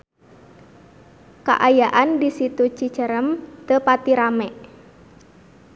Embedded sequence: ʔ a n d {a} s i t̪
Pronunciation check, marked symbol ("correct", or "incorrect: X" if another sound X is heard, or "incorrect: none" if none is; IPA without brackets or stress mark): incorrect: i